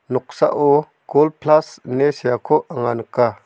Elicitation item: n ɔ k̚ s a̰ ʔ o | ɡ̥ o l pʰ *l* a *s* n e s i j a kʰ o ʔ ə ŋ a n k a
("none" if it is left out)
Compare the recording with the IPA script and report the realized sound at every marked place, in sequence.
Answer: l, s

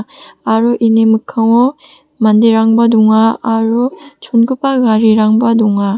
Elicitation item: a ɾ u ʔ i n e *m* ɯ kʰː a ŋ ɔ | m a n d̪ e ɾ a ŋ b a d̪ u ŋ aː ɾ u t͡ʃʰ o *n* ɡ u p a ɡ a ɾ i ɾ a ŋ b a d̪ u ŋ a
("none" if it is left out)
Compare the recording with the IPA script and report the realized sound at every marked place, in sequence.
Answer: m, n

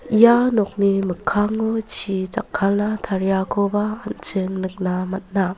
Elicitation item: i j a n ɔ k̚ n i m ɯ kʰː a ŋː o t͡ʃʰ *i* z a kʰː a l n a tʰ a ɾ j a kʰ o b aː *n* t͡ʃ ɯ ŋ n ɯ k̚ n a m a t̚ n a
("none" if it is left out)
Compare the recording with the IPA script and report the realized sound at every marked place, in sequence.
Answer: i, n

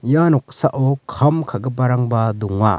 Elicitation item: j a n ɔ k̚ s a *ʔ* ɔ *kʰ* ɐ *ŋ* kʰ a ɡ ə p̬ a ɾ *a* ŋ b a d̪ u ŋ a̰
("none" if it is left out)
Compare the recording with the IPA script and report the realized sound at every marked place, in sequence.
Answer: ʔ, kʰ, m, a

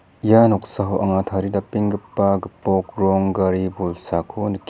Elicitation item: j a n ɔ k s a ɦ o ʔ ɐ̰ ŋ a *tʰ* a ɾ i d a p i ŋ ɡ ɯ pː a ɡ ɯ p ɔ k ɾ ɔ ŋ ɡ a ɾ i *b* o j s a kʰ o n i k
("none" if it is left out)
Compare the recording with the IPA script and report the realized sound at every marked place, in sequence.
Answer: tʰ, b

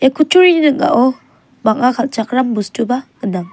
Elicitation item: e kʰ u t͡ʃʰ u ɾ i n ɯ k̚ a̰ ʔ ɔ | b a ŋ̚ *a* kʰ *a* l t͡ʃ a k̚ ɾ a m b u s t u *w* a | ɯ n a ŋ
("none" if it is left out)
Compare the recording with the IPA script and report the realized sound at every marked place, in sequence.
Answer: a, a, b

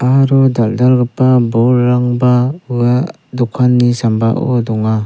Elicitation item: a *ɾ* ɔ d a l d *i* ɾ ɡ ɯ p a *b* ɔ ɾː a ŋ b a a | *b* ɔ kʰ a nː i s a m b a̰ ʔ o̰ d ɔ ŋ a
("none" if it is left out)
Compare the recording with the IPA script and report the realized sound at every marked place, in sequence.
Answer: ɾ, a, b, d

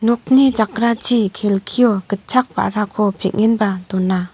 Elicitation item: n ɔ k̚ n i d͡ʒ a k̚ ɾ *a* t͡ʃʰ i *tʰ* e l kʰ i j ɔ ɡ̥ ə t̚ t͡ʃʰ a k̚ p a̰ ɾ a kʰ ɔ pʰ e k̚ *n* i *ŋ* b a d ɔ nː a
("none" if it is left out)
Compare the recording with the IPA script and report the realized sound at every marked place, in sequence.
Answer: a, kʰ, ŋ, n

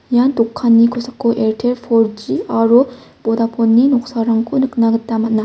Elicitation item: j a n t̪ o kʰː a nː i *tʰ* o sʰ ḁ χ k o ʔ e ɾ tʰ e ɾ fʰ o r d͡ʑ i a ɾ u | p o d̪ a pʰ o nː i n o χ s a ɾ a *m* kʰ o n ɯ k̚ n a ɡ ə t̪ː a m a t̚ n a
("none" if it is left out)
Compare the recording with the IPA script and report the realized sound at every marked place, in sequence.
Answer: kʰ, ŋ

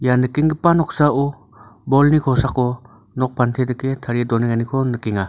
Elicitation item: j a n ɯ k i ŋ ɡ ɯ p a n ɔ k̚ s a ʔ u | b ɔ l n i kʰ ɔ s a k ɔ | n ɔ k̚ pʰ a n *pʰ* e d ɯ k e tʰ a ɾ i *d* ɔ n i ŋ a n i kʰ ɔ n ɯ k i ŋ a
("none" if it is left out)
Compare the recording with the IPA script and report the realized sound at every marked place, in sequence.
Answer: tʰ, d

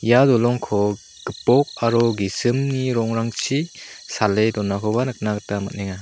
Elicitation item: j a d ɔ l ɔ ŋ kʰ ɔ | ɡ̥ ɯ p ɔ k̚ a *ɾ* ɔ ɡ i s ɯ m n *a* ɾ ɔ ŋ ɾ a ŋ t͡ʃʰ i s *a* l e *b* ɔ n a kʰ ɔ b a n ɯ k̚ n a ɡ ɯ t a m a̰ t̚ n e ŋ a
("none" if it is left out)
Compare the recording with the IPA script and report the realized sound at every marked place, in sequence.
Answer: ɾ, i, a, d

